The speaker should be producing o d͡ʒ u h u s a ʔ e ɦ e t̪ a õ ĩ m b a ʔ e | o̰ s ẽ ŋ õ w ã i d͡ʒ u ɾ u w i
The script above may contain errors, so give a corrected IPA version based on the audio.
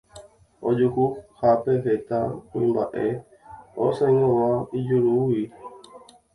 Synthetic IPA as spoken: o d͡ʒ u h u h a p e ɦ e t̪ a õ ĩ m b a ʔ e | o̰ s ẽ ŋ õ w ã i d͡ʒ u ɾ u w i

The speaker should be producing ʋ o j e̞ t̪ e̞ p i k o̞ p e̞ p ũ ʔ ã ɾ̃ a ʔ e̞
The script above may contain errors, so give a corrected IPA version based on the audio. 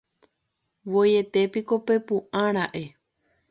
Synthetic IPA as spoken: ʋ o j e̞ t̪ e̞ p i k o̞ p e̞ p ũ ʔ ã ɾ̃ a ʔ e̞

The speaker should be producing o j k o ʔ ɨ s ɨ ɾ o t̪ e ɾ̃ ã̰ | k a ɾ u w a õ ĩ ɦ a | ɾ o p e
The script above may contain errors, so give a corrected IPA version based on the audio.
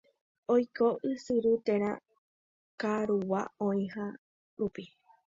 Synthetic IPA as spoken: o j k o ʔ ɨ s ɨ ɾ u t̪ e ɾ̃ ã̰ | k a ɾ u w a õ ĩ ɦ a | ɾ u p i

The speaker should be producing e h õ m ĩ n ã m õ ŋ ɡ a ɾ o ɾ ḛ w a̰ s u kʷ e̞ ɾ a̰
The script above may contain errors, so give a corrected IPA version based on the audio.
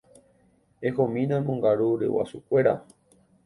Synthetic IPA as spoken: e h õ m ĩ n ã m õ ŋ ɡ a ɾ u ɾ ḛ w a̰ s u kʷ e̞ ɾ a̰

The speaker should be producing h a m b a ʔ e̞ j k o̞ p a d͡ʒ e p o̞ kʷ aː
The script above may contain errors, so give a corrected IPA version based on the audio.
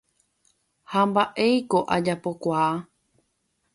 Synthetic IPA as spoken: h a m b a ʔ e̞ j k o̞ ʔ a d͡ʒ a p o̞ kʷ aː

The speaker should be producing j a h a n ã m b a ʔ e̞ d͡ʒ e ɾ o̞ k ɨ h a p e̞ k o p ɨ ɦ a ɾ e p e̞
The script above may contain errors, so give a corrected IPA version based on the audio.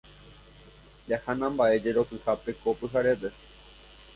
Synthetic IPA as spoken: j a h a n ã m b a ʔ e̞ d͡ʒ e ɾ o̞ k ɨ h a p e̞ k o p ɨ ɦ a ɾ e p e̞

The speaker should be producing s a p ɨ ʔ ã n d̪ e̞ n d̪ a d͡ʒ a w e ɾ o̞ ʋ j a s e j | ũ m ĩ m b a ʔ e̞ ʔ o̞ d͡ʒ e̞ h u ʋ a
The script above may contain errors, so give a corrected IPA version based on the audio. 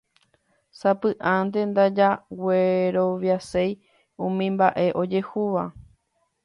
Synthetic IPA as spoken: s a p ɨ ʔ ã n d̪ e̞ n d̪ a d͡ʒ a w e ɾ o̞ ʋ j a s e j | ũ m ĩ m b a ʔ e̞ ʔ o̞ d͡ʒ e̞ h u ʋ a

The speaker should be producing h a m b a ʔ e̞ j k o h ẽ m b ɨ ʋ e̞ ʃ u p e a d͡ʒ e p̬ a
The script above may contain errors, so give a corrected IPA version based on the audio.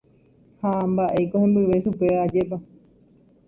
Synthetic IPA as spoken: h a m b a ʔ e̞ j k o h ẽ m b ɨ ʋ e̞ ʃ u p e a d͡ʒ e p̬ a

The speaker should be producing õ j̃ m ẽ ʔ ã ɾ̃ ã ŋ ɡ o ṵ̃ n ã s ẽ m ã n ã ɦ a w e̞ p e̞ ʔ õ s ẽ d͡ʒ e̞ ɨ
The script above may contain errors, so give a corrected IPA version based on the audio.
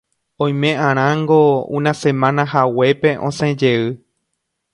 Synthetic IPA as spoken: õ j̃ m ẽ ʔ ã ɾ̃ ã ŋ ɡ o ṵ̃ n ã s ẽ m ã n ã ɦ a w e̞ p e̞ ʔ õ s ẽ d͡ʒ e̞ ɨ

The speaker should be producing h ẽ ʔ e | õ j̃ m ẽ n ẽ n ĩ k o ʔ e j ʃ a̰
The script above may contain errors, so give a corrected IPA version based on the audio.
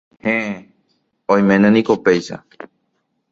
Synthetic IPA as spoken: h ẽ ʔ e | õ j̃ m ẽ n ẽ n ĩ k o p e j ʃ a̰

